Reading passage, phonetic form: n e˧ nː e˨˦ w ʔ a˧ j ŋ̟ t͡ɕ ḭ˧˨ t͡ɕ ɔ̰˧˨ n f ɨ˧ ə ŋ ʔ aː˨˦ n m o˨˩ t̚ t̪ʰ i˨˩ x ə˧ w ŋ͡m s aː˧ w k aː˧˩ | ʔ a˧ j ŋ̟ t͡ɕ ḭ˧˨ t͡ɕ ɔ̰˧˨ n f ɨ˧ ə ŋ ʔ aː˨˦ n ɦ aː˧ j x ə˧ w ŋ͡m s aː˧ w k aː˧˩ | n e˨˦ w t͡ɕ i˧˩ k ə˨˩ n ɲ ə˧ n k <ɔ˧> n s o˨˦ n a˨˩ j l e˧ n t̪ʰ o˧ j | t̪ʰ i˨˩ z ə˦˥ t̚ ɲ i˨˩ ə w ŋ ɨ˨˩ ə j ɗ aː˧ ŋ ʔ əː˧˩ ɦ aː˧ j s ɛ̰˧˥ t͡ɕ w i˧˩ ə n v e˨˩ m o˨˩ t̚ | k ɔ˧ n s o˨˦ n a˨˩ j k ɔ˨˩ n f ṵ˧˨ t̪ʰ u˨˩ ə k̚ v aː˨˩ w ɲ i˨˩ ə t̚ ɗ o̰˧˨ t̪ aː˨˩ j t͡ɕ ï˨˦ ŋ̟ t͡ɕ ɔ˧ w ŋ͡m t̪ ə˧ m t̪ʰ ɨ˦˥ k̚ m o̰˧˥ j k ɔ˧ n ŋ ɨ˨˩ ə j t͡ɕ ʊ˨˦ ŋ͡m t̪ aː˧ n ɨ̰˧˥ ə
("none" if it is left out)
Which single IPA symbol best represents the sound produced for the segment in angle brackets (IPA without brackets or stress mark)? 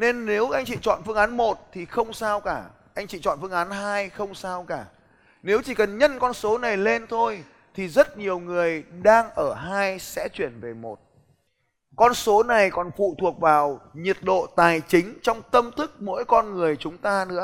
ɔ˧